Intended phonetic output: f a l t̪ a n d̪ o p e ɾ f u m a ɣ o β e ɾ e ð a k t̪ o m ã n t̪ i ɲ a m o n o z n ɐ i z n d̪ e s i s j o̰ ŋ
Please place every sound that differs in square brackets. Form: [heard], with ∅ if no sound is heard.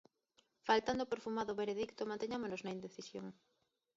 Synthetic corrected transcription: f a l t̪ a n d̪ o p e ɾ f u m a [ð] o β e ɾ e ð [i] k t̪ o m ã n t̪ [e] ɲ a m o n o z n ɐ i [∅] n d̪ e [θ] i s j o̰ ŋ